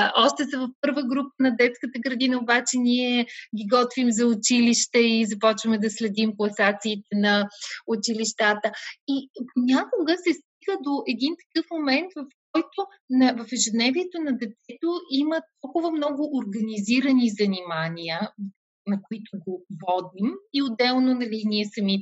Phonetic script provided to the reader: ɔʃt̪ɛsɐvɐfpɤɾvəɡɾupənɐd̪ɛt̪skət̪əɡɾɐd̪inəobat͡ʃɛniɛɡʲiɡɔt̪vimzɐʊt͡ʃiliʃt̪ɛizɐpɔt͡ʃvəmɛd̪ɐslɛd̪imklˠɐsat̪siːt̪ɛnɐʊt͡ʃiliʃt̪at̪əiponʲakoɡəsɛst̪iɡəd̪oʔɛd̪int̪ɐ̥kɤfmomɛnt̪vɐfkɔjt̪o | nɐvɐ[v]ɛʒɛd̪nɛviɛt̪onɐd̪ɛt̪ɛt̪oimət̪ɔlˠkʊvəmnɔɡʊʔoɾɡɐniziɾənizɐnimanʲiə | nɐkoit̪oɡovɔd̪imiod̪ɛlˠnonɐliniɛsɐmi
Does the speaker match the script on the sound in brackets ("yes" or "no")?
no